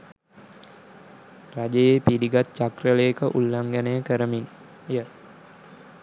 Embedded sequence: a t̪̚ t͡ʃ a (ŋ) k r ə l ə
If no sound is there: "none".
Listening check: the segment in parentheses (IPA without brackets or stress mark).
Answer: none